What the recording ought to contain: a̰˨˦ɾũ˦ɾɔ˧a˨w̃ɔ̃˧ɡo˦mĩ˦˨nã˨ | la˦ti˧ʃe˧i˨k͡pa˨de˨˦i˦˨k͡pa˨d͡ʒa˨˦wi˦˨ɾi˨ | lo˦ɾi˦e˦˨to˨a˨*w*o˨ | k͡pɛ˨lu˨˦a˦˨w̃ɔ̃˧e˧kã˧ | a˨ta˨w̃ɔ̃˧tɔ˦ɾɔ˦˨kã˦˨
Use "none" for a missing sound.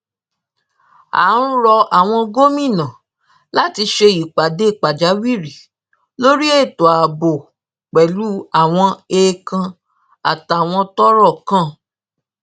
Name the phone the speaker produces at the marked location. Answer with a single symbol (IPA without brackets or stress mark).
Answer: b